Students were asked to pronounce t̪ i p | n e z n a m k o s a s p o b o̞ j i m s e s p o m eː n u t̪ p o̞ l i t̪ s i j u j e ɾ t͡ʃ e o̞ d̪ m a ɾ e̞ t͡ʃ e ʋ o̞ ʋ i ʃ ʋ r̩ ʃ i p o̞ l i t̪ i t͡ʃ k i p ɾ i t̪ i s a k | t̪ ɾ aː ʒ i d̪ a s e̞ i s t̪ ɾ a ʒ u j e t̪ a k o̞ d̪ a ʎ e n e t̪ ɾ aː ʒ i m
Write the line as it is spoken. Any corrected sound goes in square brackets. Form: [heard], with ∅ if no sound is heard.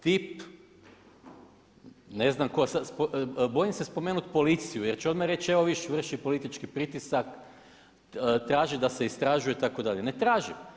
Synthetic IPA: t̪ i p | n e z n a m k o s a s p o b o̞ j i m s e s p o m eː n u t̪ p o̞ l i t̪ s i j u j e ɾ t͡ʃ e o̞ d̪ m a ɾ e̞ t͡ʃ e ʋ o̞ ʋ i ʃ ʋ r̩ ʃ i p o̞ l i t̪ i t͡ʃ k i p ɾ i t̪ i s a k | t̪ ɾ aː ʒ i d̪ a s e̞ i s t̪ ɾ a ʒ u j e t̪ a k o̞ d̪ a ʎ e n e t̪ ɾ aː ʒ i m